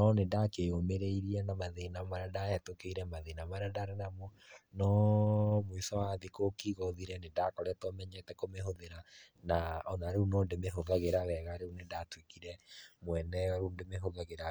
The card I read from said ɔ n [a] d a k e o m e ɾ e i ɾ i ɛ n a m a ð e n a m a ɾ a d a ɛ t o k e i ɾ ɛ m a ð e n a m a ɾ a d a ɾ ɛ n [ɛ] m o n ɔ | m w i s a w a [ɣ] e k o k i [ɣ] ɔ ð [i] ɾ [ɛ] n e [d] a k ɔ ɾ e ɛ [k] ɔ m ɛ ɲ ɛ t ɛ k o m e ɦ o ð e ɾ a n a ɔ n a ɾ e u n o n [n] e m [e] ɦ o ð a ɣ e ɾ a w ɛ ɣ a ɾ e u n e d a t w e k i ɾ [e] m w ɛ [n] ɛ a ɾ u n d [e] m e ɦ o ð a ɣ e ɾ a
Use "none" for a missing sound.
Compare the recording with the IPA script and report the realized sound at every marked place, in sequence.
e, a, ð, ɣ, i, ɛ, d, t, d, e, ɛ, n, e

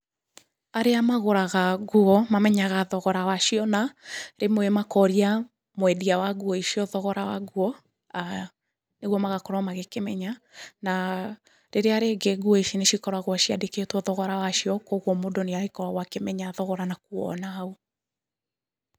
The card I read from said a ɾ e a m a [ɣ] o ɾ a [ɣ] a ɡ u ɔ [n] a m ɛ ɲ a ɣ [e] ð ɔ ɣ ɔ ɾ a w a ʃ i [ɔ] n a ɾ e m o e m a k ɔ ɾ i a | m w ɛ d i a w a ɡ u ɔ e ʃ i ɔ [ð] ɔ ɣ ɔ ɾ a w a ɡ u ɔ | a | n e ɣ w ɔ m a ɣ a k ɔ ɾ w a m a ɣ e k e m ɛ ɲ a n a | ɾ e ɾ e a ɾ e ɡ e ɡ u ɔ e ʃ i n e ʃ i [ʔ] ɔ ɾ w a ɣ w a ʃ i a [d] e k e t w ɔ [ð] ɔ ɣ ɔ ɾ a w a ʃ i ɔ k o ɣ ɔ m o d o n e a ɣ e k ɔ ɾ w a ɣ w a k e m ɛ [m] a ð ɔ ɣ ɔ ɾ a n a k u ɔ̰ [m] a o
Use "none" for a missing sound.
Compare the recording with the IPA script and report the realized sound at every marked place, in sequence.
ɣ, ɣ, m, a, ɔ, ð, k, d, ð, ɲ, n

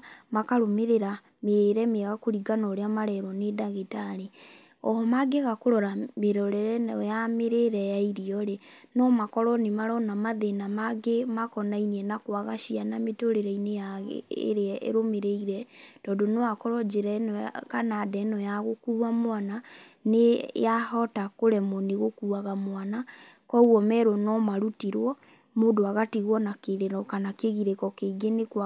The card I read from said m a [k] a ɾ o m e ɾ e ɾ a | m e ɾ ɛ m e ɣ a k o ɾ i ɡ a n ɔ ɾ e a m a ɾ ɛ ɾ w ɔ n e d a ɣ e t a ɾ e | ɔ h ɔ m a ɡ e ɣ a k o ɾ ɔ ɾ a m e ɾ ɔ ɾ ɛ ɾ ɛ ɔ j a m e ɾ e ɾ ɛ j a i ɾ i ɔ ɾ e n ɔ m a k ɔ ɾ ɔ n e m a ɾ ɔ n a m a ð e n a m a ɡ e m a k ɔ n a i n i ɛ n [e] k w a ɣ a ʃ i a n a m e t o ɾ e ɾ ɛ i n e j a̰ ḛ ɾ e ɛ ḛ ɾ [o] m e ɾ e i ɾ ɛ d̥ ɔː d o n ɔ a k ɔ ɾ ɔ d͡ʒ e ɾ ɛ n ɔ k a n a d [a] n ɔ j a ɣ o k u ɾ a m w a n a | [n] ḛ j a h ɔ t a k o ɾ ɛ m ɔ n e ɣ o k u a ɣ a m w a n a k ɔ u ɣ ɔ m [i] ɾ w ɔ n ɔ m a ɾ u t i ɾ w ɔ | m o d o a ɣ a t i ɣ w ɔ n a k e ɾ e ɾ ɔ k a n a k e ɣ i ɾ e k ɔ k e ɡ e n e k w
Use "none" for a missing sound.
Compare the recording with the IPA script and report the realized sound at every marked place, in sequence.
k, a, o, ɛ, n, ɛ

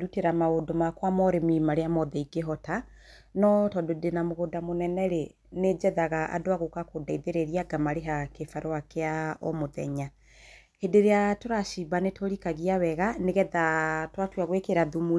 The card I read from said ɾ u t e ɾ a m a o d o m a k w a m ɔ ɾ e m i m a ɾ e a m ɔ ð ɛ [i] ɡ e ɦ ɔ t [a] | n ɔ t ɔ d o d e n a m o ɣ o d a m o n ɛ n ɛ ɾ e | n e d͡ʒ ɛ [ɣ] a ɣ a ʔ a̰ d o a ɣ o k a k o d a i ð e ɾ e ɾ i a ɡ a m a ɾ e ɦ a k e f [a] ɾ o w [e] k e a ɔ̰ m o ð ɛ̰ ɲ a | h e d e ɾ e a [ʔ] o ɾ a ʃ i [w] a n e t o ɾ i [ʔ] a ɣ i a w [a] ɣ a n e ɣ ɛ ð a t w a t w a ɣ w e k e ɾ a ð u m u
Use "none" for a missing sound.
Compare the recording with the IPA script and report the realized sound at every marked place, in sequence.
i, a, ð, a, a, t, b, k, ɛ

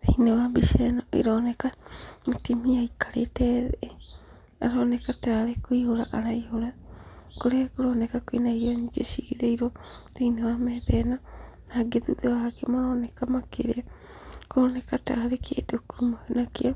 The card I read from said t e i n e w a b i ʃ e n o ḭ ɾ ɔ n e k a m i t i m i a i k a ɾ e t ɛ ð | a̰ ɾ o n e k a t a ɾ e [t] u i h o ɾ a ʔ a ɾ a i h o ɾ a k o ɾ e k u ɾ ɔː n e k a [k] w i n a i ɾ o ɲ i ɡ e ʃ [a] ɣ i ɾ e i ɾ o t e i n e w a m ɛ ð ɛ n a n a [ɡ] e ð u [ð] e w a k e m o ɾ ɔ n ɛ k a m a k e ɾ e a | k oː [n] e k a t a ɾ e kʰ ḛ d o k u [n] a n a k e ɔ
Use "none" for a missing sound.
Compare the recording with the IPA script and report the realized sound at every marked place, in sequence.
k, k, i, ɡ, ð, n, m

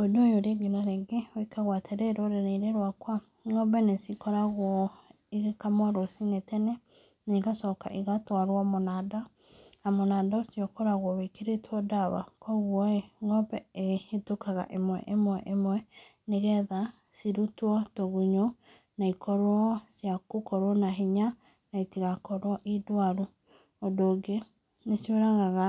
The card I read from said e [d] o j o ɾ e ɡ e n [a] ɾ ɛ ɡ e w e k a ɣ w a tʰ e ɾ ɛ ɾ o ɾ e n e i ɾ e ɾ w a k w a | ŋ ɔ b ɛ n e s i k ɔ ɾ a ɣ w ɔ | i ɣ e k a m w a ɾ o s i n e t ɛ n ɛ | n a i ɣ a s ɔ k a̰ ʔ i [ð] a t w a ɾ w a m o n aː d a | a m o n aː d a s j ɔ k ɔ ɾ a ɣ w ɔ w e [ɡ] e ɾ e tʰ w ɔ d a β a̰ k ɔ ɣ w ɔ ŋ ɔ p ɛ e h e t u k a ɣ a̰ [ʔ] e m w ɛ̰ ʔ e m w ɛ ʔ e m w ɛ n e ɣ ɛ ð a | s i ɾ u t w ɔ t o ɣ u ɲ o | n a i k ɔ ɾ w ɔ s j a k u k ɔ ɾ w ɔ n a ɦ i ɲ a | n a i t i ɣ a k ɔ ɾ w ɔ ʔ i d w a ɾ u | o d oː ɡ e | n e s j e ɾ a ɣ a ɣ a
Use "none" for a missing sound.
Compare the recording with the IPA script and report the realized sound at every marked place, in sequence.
d, a, ɣ, k, ʔ

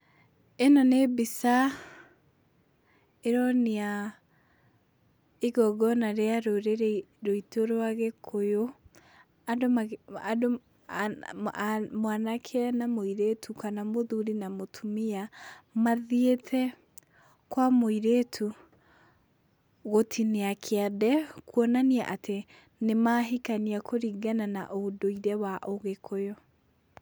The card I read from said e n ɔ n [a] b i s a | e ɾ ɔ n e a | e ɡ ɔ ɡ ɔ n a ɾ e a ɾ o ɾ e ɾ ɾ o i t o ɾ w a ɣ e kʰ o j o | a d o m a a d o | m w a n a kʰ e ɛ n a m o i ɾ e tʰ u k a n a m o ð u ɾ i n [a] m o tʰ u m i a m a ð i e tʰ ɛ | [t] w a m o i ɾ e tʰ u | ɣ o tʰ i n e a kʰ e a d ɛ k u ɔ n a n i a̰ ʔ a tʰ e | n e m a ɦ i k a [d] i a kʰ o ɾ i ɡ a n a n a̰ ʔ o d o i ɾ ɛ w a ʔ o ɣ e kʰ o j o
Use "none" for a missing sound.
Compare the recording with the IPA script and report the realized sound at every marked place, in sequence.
e, a, k, n

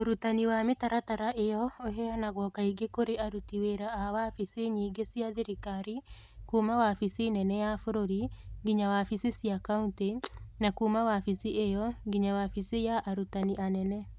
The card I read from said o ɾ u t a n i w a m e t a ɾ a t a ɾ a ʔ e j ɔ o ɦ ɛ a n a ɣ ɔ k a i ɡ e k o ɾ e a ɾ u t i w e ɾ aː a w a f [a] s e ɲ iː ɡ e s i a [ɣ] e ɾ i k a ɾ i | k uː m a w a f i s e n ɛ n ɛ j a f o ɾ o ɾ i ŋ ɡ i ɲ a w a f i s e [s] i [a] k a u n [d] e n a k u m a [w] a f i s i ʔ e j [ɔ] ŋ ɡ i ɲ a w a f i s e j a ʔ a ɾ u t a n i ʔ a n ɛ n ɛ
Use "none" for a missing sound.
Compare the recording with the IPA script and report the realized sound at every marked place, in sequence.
i, ð, s, a, t, w, ɔ

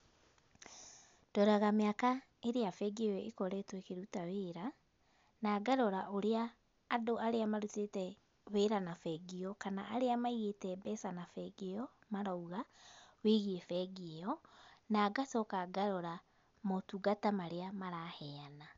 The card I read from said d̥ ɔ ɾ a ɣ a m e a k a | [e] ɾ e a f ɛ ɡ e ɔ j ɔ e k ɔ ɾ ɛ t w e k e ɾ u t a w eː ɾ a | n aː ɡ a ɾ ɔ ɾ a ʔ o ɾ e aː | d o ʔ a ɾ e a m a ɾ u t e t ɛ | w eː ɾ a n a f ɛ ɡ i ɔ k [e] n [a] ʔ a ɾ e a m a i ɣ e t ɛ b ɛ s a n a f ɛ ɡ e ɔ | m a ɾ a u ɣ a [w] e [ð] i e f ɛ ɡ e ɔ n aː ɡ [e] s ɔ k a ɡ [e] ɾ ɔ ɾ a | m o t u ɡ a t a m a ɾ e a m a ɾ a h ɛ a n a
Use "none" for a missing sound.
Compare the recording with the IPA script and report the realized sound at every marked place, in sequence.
e, a, a, w, ɣ, a, a

